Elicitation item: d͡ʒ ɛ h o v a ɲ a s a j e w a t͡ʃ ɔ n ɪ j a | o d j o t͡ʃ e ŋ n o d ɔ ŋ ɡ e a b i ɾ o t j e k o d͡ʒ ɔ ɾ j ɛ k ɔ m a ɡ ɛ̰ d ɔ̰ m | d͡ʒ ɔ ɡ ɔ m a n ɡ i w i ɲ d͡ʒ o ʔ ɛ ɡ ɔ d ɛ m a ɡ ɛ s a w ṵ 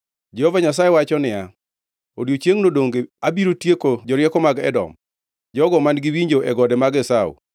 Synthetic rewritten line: d͡ʒ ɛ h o v a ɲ a s a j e w a t͡ʃ ɔ n ɪ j a | o d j o t͡ʃ e ŋ n o d o ŋ ɡ e a b i ɾ o t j e k o d͡ʒ ɔ ɾ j ɛ k ɔ m a ɡ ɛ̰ d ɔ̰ m | d͡ʒ ɔ ɡ ɔ m a n ɡ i w i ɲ d͡ʒ o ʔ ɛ ɡ ɔ d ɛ m a ɡ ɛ s a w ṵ